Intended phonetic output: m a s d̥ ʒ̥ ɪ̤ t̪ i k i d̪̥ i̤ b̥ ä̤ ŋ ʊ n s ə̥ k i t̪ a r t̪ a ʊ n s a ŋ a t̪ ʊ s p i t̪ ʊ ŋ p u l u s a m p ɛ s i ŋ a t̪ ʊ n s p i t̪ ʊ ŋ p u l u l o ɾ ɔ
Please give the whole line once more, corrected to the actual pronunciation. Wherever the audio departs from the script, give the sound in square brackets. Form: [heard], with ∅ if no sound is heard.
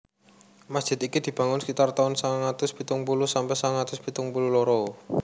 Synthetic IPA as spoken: m a s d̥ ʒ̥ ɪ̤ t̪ i k i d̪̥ i̤ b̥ ä̤ ŋ ʊ n s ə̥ k i t̪ a r t̪ a ʊ n s a ŋ a t̪ ʊ s p i t̪ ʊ ŋ p u l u s a m p ɛ s [a] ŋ a t̪ ʊ [∅] s p i t̪ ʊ ŋ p u l u l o ɾ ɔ